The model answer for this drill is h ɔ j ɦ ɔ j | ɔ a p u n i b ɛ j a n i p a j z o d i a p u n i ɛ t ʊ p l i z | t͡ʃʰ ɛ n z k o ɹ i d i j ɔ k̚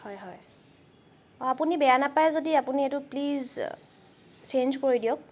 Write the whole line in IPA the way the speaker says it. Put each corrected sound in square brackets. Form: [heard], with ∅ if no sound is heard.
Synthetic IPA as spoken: h ɔ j ɦ ɔ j | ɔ a p u n i b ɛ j a n [a] p a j z o d i a p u n i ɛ t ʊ p l i z | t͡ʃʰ [e] n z k o ɹ i d i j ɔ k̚